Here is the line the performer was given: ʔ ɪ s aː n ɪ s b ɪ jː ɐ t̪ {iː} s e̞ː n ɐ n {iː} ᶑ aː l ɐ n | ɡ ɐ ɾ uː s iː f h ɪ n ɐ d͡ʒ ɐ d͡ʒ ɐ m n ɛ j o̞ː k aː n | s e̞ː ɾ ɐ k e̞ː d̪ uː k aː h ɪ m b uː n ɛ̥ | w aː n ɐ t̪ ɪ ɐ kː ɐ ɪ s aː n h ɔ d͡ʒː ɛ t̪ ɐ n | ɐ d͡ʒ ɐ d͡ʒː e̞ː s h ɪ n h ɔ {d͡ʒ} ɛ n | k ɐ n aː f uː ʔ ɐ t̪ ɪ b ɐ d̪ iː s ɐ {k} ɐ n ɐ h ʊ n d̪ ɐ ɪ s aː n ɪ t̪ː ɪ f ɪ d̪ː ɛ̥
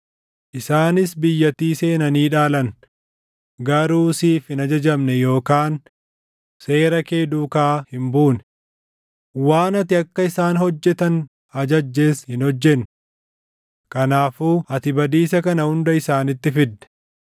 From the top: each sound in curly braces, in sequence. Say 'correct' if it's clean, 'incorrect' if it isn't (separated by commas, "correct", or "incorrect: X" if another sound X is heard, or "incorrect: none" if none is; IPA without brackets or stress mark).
correct, correct, incorrect: d͡ʒː, correct